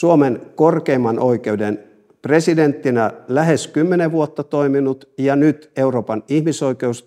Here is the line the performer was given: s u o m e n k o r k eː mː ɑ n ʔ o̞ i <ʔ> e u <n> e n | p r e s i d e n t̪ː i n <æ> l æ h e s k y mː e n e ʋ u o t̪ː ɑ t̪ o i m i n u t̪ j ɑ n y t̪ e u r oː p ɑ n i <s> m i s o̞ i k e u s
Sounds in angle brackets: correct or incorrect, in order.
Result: incorrect: k, incorrect: d, correct, incorrect: h

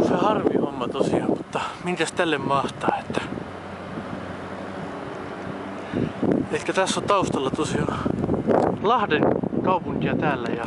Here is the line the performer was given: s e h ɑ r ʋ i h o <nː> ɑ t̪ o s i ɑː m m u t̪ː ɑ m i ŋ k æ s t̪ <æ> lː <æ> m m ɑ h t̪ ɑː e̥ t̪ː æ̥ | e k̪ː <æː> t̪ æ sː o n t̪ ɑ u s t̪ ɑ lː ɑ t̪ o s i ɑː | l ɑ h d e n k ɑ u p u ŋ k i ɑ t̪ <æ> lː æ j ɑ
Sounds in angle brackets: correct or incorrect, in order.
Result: incorrect: mː, correct, incorrect: e, incorrect: æ, incorrect: æː

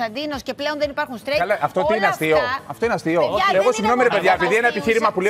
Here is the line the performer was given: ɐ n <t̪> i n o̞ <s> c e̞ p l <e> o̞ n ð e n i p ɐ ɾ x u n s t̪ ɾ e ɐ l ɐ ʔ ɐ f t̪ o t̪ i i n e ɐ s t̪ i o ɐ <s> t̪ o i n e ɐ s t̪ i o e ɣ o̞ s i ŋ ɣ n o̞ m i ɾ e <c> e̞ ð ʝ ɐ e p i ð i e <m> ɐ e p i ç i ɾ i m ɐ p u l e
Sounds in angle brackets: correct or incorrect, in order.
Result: incorrect: d̪, correct, correct, incorrect: f, incorrect: p, incorrect: n

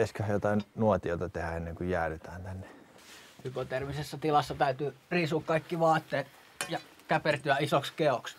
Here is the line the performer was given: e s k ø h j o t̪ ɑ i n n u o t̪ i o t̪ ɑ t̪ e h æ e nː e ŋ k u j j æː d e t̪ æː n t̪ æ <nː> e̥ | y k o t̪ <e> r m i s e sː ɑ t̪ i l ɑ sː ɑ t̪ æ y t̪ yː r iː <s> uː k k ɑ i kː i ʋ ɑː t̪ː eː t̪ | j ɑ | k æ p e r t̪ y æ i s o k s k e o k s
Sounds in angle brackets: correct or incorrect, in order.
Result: correct, correct, correct

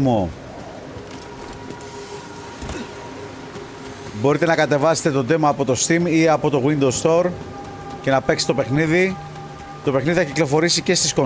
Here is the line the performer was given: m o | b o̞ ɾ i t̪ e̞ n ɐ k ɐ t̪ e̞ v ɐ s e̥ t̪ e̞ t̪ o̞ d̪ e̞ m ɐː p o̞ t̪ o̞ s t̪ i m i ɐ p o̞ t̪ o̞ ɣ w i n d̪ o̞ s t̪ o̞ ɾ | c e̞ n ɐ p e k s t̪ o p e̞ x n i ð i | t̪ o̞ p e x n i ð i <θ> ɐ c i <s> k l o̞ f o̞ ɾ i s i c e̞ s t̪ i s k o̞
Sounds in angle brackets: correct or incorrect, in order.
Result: correct, incorrect: none

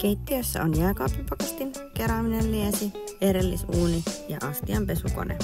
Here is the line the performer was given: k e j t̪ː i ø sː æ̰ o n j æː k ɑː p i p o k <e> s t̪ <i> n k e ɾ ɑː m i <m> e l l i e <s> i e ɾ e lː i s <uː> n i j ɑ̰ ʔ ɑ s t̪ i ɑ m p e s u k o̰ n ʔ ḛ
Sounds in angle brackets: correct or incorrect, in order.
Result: correct, correct, incorrect: n, correct, correct

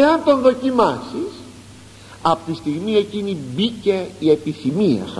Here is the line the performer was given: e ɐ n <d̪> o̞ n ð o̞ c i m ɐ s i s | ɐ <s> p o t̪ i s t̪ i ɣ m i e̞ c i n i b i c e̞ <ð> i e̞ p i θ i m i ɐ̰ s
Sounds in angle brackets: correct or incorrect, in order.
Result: incorrect: t̪, incorrect: none, incorrect: none

